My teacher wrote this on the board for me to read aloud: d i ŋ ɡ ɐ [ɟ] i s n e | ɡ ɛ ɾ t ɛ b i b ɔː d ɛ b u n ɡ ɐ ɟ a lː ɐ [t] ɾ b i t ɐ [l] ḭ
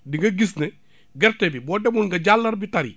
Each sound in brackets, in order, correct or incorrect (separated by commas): incorrect, incorrect, incorrect